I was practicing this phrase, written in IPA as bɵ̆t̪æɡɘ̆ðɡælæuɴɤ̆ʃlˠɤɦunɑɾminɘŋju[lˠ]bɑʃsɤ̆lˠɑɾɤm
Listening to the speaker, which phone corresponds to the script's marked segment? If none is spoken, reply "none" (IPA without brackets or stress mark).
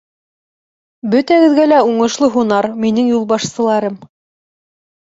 lˠ